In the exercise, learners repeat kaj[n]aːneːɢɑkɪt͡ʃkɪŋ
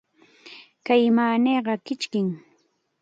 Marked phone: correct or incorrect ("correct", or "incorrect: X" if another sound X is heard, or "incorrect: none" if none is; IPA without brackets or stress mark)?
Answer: incorrect: m